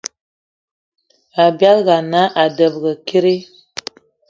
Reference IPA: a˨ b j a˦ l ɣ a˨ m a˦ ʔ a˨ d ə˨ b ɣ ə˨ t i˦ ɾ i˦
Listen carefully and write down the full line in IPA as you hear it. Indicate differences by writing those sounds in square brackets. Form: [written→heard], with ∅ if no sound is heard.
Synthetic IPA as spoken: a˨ b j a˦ l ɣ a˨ [m→n] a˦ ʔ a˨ d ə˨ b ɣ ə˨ [t→k] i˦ ɾ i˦